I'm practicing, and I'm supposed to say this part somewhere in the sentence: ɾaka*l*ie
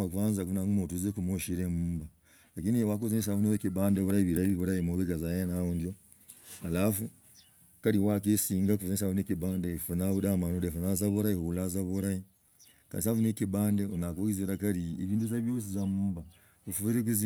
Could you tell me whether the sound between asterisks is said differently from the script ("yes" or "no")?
yes